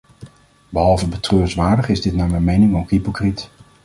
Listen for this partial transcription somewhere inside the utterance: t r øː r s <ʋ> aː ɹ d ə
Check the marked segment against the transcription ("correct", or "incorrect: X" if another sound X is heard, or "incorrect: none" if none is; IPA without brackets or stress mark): correct